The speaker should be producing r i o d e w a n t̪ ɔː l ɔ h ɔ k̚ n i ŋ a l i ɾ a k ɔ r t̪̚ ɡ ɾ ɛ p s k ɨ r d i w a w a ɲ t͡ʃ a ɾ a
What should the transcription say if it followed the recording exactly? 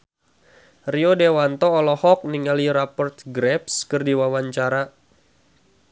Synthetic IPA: r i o d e w a n t̪ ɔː l ɔ h ɔ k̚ n i ŋ a l i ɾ a p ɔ r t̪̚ ɡ ɾ ɛ p s k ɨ r d i w a w a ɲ t͡ʃ a ɾ a